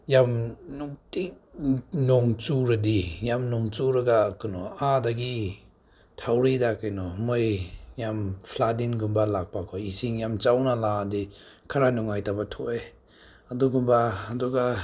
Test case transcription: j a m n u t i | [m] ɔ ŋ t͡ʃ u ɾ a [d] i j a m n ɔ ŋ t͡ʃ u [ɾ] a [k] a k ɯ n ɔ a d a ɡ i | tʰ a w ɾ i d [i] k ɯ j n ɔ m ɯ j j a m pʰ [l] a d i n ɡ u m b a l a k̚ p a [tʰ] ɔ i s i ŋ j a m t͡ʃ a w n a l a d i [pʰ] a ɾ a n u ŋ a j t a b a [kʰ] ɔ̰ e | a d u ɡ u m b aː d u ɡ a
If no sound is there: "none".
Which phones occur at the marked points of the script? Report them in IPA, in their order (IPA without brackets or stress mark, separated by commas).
n, d, ɾ, ɡ, a, l, kʰ, kʰ, tʰ